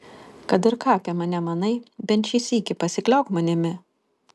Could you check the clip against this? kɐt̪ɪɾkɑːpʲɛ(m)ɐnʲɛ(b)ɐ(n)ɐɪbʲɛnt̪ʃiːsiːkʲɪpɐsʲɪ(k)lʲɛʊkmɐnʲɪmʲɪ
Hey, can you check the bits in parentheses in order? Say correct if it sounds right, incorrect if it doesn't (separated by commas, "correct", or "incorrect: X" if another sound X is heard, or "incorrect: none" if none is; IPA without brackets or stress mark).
correct, incorrect: m, correct, correct